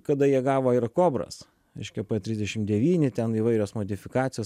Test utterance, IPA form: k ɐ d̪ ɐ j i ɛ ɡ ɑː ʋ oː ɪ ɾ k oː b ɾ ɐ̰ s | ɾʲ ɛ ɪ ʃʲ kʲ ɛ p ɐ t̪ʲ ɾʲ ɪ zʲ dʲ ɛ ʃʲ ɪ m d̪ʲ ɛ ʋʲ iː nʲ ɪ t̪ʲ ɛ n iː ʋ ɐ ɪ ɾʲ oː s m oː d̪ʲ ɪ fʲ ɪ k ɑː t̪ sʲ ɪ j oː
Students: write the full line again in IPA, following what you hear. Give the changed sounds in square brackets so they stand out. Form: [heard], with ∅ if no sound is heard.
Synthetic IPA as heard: k ɐ d̪ ɐ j i ɛ ɡ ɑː ʋ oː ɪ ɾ k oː b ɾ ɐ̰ s | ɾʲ ɛ ɪ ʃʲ kʲ ɛ p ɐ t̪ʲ ɾʲ ɪ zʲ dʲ ɛ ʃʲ ɪ m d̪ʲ ɛ ʋʲ iː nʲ ɪ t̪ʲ ɛ n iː ʋ ɐ ɪ ɾʲ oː s m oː d̪ʲ ɪ fʲ ɪ k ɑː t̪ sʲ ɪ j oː

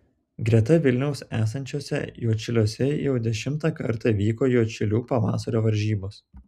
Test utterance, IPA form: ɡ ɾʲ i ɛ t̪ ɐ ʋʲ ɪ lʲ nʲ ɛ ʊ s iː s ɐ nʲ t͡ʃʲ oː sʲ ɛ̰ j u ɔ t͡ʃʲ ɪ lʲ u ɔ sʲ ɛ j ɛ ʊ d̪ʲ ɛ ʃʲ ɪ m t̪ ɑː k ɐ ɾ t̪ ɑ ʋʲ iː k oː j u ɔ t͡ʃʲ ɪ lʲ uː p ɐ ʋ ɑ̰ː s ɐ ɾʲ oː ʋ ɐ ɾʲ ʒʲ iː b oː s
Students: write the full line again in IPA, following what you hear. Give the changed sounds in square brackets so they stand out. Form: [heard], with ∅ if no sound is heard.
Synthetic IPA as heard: ɡ ɾʲ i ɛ t̪ ɐ ʋʲ ɪ lʲ nʲ ɛ ʊ s [æː] s ɐ nʲ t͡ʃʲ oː sʲ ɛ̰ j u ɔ t͡ʃʲ ɪ lʲ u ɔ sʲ ɛ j ɛ ʊ d̪ʲ ɛ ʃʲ ɪ m t̪ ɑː k ɐ ɾ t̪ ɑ ʋʲ iː k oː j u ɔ t͡ʃʲ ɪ lʲ uː p ɐ ʋ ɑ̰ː s ɐ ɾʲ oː ʋ ɐ ɾʲ ʒʲ iː b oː s

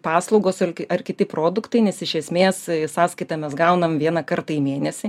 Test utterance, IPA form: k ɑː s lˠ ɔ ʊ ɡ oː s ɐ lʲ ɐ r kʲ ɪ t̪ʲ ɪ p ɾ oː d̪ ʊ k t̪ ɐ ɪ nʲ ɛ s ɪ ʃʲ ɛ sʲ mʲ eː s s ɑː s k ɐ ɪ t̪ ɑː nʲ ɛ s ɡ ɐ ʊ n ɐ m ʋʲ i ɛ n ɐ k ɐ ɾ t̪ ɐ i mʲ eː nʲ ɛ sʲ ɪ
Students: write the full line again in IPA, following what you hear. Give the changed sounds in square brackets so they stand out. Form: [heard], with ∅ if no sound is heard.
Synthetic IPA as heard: [p] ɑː s lˠ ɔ ʊ ɡ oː s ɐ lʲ ɐ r kʲ ɪ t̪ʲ ɪ p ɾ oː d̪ ʊ k t̪ ɐ ɪ nʲ ɛ s ɪ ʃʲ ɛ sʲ mʲ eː s s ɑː s k ɐ ɪ t̪ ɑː [mʲ] ɛ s ɡ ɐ ʊ n ɐ m ʋʲ i ɛ n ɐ k ɐ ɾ t̪ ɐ i mʲ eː nʲ ɛ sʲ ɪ

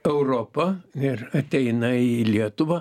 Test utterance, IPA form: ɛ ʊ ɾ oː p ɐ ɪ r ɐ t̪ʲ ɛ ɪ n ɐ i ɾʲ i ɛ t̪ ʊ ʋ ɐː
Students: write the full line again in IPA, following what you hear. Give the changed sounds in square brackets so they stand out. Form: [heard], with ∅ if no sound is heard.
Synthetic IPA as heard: ɛ ʊ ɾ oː p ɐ ɪ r ɐ t̪ʲ ɛ ɪ n ɐ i [lʲ] i ɛ t̪ ʊ ʋ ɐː

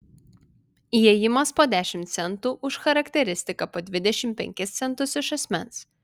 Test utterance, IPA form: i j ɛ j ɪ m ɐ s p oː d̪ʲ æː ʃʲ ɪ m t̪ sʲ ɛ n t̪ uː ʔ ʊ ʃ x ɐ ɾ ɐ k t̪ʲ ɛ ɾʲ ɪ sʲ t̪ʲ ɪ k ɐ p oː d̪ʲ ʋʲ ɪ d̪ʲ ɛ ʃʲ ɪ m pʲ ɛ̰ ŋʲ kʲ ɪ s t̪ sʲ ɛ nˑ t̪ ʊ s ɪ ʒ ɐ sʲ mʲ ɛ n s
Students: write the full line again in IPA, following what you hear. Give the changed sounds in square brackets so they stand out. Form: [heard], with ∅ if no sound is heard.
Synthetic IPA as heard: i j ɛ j ɪ m ɐ s p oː d̪ʲ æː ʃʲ ɪ m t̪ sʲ ɛ n t̪ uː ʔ ʊ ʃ x ɐ ɾ ɐ k t̪ʲ ɛ ɾʲ ɪ sʲ t̪ʲ ɪ k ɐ p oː d̪ʲ ʋʲ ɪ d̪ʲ ɛ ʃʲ ɪ m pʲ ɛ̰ ŋʲ kʲ ɪ s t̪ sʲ ɛ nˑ t̪ ʊ s ɪ [ʃ] ɐ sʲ mʲ ɛ n s

